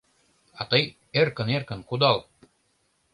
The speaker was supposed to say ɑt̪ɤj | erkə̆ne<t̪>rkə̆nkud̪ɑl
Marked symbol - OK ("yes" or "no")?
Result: no